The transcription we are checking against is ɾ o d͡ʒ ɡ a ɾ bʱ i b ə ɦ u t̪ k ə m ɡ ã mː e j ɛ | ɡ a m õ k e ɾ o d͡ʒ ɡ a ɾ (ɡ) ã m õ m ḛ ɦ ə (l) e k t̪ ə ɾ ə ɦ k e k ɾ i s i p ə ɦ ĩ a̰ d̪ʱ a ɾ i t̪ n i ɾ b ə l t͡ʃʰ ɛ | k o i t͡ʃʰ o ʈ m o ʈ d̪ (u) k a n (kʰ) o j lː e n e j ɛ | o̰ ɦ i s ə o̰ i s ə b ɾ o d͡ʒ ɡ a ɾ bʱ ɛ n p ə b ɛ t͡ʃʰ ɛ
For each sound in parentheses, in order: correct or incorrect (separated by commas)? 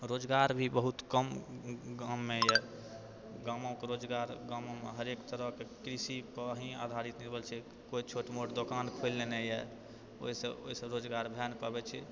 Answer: correct, incorrect, incorrect, correct